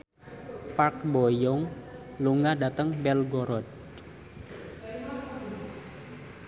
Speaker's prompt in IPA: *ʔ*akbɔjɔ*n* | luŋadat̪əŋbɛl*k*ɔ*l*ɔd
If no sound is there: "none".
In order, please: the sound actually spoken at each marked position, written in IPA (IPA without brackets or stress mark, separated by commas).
p, ŋ, ɡ, ɾ